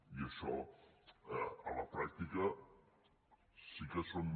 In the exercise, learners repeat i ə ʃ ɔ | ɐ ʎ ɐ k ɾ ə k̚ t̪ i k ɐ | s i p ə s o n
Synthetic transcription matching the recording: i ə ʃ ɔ | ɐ l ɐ p ɾ a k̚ t̪ i k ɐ | s i k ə s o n

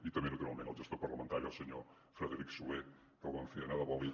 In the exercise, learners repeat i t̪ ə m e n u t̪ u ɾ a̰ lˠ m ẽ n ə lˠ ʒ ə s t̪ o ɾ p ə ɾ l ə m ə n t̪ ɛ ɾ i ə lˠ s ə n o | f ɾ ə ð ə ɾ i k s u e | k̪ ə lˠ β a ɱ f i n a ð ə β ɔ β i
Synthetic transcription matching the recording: i t̪ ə m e n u t̪ u ɾ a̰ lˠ m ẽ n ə lˠ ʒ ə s t̪ o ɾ p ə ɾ l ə m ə n t̪ a ɾ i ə lˠ s ə ɲ o | f ɾ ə ð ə ɾ i k s u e | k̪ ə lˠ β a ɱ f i n a ð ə β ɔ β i

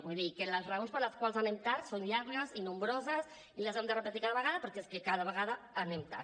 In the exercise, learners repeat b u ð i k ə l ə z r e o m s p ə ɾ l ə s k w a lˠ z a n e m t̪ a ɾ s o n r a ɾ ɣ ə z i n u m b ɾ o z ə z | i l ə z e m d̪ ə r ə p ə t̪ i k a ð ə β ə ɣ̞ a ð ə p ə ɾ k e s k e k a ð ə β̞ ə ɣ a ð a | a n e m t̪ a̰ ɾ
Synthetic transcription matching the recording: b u ð i k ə l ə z r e o n s p ə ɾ l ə s k w a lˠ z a n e m t̪ a ɾ s o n ʎ a ɾ ɣ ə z i n u m b ɾ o z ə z | i l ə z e m d̪ ə r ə p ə t̪ i k a ð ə β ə ɣ̞ a ð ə p ə ɾ k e s k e k a ð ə β̞ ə ɣ a ð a | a n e m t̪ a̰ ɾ

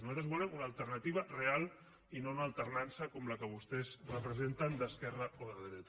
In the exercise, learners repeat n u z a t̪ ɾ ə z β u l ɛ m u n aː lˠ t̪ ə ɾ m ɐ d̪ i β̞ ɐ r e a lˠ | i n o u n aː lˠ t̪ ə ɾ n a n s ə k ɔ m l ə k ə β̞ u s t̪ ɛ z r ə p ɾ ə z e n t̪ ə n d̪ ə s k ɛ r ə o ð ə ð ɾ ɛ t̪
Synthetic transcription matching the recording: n u z a t̪ ɾ ə z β u l ɛ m u n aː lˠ t̪ ə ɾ n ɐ t̪ i β̞ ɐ r e a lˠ | i n o u n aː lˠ t̪ ə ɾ n a n s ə k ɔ m l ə k ə β̞ u s t̪ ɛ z r ə p ɾ ə z e n t̪ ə n d̪ ə s k ɛ r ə o ð ə ð ɾ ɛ t̪

